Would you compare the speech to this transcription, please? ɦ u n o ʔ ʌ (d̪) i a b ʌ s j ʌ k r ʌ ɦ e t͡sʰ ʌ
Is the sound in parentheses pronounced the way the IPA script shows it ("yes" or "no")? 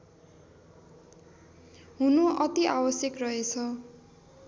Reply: no